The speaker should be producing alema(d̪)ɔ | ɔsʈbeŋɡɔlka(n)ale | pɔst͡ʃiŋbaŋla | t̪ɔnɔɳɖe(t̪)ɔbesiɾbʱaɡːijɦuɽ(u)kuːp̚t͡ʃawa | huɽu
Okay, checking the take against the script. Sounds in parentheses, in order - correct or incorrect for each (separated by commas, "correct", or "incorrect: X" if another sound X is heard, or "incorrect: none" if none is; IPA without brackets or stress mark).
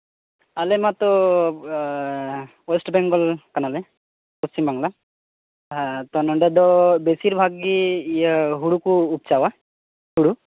incorrect: t̪, correct, incorrect: d̪, correct